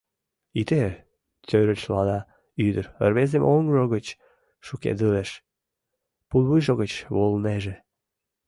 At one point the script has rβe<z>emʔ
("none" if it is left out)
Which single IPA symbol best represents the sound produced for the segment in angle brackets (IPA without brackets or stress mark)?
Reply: z